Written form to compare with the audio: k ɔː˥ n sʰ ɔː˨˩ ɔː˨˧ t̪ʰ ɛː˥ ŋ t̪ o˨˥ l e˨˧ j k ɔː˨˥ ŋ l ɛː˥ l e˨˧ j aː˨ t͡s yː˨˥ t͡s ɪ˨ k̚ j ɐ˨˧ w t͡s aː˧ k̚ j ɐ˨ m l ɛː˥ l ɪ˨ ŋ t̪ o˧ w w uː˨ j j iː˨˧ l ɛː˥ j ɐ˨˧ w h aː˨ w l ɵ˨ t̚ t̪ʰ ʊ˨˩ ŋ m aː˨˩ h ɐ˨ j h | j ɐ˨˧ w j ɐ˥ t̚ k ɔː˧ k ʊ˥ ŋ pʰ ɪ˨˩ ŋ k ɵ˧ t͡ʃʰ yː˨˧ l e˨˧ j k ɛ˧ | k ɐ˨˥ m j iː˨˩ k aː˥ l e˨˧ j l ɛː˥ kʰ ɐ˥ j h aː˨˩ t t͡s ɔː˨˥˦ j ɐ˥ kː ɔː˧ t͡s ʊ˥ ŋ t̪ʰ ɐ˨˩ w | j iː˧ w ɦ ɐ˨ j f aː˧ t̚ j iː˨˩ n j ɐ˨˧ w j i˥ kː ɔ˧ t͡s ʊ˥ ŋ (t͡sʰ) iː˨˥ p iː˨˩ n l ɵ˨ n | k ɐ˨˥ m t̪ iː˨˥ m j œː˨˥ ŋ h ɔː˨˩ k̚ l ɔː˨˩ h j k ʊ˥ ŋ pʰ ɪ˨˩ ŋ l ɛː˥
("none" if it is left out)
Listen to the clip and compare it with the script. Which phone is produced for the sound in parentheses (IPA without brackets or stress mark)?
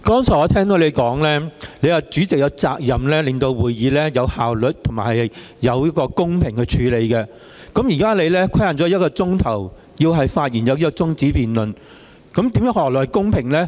t͡s